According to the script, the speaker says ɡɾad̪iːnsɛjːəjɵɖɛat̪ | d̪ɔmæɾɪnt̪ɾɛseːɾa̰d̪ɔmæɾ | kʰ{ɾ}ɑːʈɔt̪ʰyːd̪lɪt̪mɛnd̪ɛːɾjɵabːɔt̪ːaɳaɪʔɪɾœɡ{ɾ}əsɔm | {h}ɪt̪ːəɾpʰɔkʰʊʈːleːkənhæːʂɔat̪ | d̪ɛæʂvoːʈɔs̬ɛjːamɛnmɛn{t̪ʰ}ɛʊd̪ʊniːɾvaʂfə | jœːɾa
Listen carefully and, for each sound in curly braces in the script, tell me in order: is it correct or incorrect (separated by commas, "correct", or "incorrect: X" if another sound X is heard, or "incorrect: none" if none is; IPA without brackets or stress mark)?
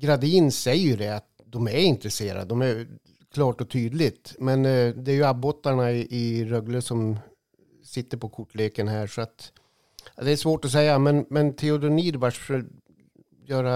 incorrect: l, incorrect: l, incorrect: s, correct